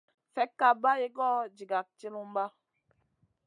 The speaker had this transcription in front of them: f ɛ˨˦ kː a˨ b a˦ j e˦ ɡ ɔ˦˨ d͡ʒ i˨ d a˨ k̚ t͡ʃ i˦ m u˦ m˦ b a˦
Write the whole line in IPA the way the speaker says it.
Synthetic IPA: f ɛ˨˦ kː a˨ b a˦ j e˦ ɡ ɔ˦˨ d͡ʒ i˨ ɡ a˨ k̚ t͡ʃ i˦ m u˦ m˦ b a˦